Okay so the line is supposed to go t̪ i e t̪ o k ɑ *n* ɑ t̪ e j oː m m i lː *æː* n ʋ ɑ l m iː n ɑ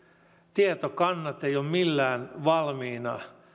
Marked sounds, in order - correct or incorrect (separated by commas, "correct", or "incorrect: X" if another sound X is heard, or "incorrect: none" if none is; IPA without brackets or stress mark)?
incorrect: nː, correct